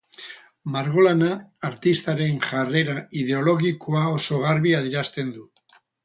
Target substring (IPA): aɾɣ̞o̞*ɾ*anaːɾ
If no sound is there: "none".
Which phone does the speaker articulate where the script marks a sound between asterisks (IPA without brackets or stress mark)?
l